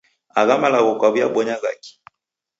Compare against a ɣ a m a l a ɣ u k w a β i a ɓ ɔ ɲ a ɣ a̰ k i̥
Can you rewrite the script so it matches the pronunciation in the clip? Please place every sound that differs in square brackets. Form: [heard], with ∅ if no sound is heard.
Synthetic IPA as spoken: a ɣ a m a l a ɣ [ɔ] k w a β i a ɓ ɔ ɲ a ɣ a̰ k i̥